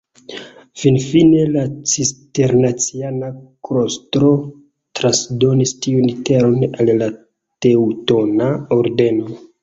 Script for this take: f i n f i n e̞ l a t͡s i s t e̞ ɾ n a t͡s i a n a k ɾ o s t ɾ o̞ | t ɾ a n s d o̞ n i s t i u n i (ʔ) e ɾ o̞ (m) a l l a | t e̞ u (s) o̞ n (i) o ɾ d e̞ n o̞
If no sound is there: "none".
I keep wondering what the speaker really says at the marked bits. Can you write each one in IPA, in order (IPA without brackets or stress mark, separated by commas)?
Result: t, n, t, a